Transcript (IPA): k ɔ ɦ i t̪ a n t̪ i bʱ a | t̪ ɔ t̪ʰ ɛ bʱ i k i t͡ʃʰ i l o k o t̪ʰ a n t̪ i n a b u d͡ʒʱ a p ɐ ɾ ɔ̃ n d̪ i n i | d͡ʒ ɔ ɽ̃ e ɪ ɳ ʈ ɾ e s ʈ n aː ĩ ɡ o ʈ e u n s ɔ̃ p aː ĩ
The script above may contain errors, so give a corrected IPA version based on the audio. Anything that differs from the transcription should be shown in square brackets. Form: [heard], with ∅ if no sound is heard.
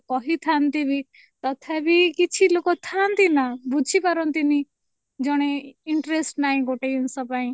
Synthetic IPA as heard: k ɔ ɦ i [t̪ʰ] a n t̪ i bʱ [i] | t̪ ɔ t̪ʰ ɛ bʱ i k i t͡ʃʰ i l o k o t̪ʰ a n t̪ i n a b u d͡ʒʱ [i] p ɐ ɾ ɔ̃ n [t̪] i n i | d͡ʒ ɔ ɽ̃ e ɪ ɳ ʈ ɾ e s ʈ n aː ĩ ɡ o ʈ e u n s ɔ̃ p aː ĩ